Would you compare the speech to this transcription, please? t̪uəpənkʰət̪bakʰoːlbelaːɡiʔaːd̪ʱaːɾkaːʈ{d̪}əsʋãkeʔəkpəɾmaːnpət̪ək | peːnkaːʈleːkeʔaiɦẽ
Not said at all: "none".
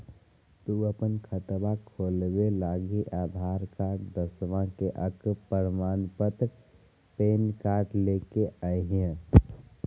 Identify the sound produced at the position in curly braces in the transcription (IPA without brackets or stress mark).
d̪